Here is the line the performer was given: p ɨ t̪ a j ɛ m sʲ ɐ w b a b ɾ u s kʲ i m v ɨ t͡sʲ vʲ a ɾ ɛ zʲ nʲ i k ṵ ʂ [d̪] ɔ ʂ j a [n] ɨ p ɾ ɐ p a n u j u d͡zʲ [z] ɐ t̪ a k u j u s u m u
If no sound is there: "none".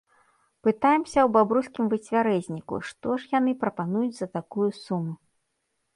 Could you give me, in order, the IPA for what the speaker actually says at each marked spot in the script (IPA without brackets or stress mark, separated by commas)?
t̪, n, z